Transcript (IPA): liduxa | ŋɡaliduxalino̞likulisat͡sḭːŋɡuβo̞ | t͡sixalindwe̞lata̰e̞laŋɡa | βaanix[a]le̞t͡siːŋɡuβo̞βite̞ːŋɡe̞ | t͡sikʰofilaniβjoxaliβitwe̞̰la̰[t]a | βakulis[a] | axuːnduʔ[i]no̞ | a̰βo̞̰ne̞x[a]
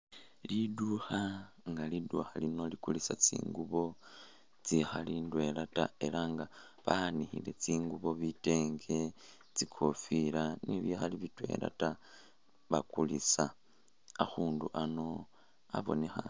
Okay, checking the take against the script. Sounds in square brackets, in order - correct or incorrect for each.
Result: incorrect, correct, correct, incorrect, correct

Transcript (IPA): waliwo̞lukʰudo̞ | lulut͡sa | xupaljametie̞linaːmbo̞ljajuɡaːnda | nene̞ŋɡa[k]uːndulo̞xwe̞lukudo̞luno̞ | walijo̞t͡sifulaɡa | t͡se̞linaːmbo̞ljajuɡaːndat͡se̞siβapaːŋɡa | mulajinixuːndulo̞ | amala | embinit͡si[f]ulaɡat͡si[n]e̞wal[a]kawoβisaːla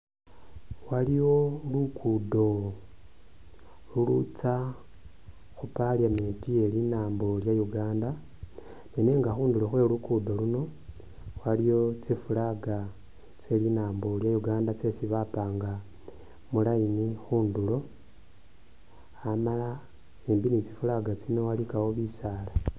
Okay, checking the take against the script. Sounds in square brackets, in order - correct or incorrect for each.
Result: incorrect, correct, correct, incorrect

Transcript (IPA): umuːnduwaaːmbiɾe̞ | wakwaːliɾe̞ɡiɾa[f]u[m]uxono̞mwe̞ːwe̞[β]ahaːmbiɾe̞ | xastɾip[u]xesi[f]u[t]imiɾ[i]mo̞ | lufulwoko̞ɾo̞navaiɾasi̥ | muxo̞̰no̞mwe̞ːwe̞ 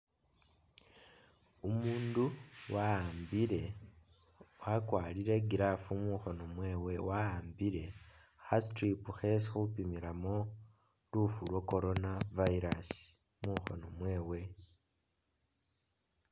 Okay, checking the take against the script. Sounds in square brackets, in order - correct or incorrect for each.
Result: correct, correct, incorrect, correct, incorrect, incorrect, incorrect

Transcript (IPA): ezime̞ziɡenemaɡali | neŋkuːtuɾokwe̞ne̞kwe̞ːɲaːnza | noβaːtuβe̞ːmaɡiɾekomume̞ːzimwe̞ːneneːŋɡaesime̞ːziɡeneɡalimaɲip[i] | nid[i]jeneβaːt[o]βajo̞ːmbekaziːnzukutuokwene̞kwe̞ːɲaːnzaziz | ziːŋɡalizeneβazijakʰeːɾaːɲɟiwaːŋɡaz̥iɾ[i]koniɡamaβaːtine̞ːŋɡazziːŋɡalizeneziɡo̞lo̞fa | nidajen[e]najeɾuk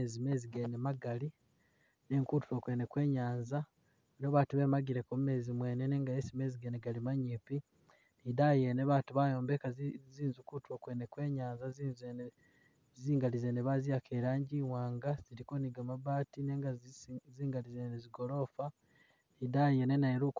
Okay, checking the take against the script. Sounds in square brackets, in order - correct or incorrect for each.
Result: correct, incorrect, incorrect, correct, correct

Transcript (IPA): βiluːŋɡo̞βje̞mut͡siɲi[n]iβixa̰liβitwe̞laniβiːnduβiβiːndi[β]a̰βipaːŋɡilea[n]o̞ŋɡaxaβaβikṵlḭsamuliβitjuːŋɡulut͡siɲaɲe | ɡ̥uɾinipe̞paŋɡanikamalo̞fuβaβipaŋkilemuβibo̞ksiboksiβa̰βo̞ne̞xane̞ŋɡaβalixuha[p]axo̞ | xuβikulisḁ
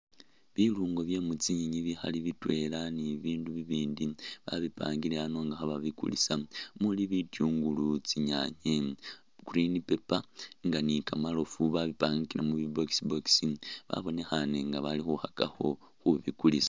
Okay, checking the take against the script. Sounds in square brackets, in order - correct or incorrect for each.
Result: incorrect, correct, correct, incorrect

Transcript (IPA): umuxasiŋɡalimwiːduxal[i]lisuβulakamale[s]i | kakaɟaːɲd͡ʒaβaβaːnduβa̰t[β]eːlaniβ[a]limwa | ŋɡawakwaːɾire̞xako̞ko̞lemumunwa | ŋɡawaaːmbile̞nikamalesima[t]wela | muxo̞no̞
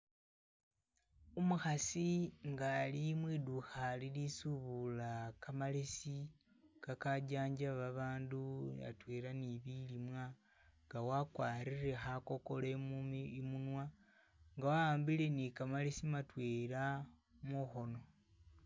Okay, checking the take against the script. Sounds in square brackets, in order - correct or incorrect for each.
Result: correct, correct, incorrect, incorrect, correct

